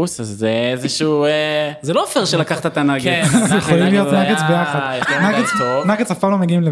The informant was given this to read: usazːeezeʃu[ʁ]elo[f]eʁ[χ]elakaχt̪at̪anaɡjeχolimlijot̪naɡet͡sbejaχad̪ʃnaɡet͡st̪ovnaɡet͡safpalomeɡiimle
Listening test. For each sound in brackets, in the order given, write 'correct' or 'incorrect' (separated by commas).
incorrect, correct, incorrect